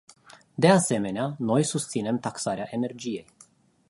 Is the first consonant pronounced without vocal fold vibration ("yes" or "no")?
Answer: no